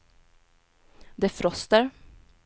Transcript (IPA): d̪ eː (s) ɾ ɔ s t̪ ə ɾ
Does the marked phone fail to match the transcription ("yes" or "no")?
yes